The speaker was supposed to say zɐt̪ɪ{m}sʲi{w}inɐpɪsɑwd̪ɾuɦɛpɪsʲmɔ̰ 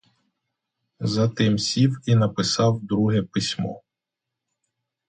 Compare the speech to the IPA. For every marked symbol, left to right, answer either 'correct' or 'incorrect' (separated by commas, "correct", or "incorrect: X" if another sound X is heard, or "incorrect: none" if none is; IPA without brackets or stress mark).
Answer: correct, correct